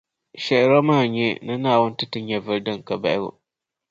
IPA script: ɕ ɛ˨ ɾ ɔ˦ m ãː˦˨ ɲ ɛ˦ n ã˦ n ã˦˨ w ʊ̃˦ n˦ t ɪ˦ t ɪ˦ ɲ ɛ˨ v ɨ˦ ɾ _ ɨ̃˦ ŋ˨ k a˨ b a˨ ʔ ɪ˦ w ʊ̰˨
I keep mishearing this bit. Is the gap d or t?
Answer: d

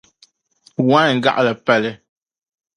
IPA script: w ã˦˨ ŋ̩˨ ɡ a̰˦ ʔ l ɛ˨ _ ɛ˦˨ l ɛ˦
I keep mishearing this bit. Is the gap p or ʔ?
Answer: p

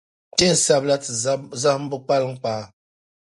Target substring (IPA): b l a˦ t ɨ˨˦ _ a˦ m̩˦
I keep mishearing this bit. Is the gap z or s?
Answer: z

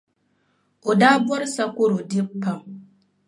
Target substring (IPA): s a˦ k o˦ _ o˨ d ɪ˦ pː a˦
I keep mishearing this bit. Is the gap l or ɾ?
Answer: ɾ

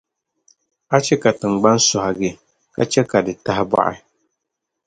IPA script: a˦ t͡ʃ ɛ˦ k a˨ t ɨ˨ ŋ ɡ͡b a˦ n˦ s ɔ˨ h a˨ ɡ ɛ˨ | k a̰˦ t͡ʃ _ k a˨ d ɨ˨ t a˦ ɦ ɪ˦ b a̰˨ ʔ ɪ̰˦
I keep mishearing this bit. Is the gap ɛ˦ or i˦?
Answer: ɛ˦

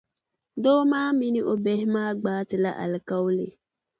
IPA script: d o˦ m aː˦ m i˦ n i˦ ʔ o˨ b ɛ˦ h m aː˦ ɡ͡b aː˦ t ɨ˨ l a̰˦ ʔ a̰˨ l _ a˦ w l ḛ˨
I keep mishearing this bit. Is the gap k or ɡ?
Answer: k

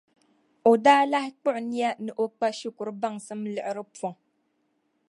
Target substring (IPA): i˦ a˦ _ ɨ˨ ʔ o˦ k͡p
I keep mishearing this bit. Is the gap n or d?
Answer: n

